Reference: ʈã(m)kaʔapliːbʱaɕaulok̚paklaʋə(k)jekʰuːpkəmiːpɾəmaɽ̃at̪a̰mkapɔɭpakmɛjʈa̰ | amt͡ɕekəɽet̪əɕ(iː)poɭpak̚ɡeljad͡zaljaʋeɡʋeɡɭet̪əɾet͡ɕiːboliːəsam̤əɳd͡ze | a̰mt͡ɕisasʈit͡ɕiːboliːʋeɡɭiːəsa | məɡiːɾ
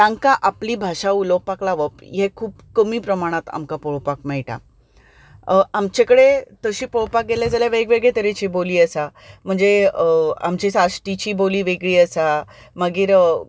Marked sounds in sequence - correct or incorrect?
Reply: incorrect, incorrect, correct

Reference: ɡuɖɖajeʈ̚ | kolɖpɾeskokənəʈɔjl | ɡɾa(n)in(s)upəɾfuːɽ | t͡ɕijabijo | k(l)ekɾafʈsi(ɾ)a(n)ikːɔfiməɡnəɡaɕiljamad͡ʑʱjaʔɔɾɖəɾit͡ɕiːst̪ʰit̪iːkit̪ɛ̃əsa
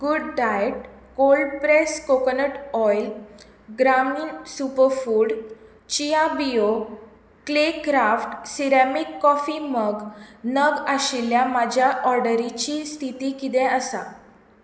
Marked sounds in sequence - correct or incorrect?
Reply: incorrect, correct, correct, correct, incorrect

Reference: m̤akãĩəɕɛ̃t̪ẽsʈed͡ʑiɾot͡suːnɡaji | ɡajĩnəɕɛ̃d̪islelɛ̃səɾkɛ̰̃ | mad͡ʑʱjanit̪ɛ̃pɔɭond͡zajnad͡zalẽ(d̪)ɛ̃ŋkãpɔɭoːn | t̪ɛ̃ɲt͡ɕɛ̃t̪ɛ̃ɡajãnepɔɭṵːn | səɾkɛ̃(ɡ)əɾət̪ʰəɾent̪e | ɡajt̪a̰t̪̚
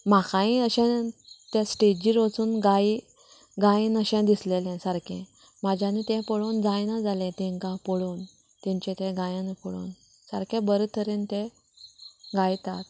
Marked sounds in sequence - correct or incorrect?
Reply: incorrect, incorrect

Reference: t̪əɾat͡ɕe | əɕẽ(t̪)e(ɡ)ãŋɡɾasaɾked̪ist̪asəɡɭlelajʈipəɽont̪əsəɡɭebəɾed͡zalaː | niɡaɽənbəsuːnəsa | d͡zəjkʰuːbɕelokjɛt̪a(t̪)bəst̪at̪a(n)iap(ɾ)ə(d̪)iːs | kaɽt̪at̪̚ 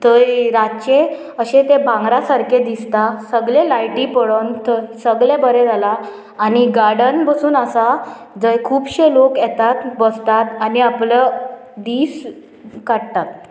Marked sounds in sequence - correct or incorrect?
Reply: correct, incorrect, correct, correct, incorrect, correct

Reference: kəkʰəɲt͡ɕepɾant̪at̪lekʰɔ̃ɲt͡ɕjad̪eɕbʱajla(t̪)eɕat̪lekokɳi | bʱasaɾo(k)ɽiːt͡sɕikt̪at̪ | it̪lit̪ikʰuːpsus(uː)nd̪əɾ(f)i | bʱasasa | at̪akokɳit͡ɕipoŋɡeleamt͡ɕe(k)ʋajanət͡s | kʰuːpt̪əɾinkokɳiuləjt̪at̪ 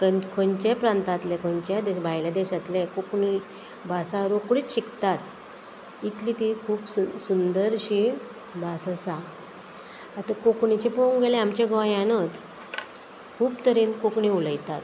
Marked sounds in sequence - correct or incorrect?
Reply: incorrect, correct, incorrect, incorrect, incorrect

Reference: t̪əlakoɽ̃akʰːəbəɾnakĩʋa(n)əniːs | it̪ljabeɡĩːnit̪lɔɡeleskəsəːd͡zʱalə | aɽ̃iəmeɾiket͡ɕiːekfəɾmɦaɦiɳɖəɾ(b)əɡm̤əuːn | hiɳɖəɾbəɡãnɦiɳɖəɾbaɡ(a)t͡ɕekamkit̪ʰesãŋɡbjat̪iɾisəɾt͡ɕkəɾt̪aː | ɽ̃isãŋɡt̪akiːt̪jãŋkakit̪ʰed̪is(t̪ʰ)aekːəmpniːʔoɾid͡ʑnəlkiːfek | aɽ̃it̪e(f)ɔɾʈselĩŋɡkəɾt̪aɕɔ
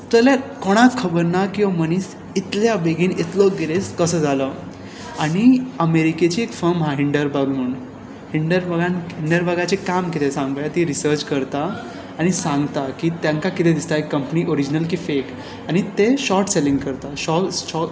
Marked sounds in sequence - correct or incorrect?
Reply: incorrect, correct, correct, incorrect, incorrect

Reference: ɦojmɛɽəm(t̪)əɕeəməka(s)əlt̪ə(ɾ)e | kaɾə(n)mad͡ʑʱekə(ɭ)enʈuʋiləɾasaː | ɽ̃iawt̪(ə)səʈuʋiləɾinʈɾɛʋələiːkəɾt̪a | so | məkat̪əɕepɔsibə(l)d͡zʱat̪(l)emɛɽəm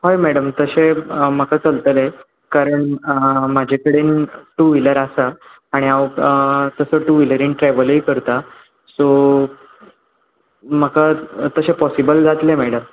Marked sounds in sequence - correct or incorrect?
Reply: correct, incorrect, incorrect, incorrect, incorrect, correct, correct, correct

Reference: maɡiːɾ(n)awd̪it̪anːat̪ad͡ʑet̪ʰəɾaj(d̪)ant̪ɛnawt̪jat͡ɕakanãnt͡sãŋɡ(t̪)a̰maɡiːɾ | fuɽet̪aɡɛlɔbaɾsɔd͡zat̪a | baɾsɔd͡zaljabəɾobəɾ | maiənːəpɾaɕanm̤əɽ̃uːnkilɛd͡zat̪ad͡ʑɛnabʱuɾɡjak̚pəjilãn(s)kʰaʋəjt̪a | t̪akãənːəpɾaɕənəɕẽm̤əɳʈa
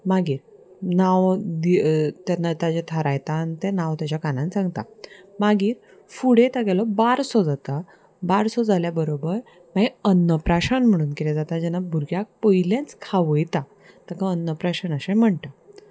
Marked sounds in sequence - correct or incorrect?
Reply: correct, incorrect, correct, incorrect

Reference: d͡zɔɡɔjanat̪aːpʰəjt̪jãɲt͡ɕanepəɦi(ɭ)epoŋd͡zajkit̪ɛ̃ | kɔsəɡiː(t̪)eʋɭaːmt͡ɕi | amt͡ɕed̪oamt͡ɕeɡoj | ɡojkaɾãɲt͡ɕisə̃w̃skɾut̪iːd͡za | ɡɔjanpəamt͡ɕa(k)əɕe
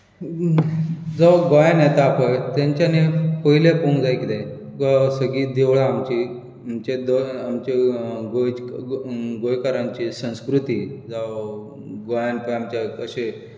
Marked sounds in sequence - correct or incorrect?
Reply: incorrect, incorrect, correct

